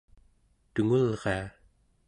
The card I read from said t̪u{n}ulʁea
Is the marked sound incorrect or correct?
incorrect